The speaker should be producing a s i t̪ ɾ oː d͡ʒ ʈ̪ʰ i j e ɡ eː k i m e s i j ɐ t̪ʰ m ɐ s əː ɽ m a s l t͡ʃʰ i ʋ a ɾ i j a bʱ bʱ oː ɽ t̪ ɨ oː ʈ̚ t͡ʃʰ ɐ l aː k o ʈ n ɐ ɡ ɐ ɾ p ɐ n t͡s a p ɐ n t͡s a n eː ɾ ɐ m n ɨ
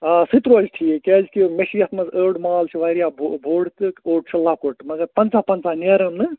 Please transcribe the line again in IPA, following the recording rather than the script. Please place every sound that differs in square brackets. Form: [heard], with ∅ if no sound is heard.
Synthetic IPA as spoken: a s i t̪ ɾ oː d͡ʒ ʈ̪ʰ i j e [k] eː k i m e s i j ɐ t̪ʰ m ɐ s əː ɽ m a [∅] l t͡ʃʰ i ʋ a ɾ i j a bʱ bʱ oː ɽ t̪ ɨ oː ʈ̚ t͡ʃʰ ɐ l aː k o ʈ [m] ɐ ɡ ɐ ɾ p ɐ n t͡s a p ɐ n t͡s a n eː ɾ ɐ m n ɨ

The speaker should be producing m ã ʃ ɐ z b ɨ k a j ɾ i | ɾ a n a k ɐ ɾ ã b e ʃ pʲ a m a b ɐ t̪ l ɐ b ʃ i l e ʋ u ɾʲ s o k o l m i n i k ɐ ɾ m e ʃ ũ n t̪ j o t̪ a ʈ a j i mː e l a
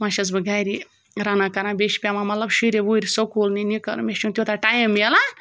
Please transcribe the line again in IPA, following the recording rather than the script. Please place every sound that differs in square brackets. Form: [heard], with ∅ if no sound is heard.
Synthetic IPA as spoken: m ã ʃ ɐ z b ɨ [ɡ] a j ɾ i | ɾ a n a k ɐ ɾ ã b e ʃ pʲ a m a [m] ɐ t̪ l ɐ b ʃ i [ɾ] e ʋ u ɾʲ s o k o l [n] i n i k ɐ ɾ m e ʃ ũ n t̪ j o t̪ a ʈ a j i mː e l a

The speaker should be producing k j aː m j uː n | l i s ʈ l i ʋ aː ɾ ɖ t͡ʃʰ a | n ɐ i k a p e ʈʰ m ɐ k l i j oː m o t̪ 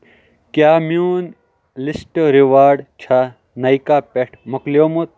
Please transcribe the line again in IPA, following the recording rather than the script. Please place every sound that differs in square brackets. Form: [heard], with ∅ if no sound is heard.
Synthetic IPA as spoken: k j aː m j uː n | l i s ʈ [ɾ] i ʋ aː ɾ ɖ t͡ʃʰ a | n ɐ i k a p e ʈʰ m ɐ k l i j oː m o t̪

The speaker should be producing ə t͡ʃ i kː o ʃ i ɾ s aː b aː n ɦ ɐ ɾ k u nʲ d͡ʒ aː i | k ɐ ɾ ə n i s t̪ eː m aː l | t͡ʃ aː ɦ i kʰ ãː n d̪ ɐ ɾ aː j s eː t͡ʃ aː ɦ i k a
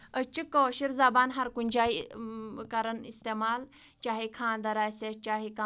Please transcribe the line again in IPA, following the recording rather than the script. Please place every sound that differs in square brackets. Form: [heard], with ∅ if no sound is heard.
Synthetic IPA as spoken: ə t͡ʃ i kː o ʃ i ɾ [z] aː b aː n ɦ ɐ ɾ k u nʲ d͡ʒ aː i | k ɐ ɾ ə n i s t̪ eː m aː l | t͡ʃ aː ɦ i kʰ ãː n d̪ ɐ ɾ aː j s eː t͡ʃ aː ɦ i k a

